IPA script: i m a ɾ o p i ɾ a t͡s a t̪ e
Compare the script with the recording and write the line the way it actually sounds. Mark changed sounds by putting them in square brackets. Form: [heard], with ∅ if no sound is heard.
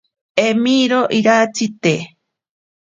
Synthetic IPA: [e] m [i] ɾ o [ʔ] i ɾ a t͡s [i] t̪ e